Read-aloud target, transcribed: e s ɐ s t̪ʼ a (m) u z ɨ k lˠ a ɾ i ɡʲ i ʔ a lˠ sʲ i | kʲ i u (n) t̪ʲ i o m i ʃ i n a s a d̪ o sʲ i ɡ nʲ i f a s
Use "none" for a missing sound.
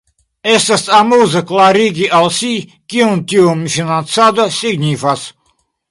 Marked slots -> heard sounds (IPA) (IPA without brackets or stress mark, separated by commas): m, n